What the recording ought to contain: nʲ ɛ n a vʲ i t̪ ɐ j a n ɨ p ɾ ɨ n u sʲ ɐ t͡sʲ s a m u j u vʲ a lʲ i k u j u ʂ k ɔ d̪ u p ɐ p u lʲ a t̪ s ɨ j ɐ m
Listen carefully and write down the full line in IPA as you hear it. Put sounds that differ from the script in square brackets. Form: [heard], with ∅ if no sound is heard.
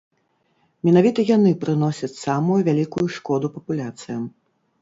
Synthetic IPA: [mʲ] ɛ n a vʲ i t̪ ɐ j a n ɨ p ɾ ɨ n [ɔ] sʲ ɐ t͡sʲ s a m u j u vʲ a lʲ i k u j u ʂ k ɔ d̪ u p ɐ p u lʲ a t̪ s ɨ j ɐ m